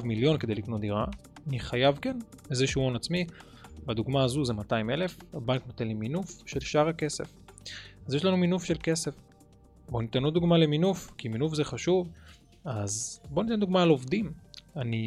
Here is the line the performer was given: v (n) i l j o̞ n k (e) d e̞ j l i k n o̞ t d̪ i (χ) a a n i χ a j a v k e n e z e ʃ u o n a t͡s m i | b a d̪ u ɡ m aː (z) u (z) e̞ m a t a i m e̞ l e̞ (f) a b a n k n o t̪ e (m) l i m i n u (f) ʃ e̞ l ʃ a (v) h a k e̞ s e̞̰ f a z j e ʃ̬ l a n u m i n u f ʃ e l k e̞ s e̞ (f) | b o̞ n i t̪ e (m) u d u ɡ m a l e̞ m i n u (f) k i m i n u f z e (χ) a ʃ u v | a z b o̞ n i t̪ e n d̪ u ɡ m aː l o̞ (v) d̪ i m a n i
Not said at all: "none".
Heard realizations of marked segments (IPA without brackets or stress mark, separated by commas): m, e, ʁ, z, z, f, n, f, ʁ, f, n, f, χ, v